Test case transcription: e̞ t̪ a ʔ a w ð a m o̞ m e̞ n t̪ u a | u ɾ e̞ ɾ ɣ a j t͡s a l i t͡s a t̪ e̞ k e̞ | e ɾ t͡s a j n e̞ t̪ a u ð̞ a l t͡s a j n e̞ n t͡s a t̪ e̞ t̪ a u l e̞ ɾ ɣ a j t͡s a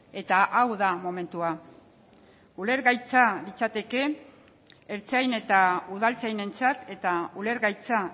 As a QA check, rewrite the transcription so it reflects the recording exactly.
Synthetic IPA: e̞ t̪ a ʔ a w ð a m o̞ m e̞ n t̪ u a | u l e̞ ɾ ɣ a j t͡s a l i t͡s a t̪ e̞ k e̞ | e ɾ t͡s a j n e̞ t̪ a u ð̞ a l t͡s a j n e̞ n t͡s a t̪ e̞ t̪ a u l e̞ ɾ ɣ a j t͡s a